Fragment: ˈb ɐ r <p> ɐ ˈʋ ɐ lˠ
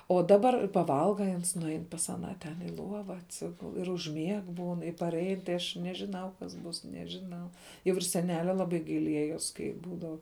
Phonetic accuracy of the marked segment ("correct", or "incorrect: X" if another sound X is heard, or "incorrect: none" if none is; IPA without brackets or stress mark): correct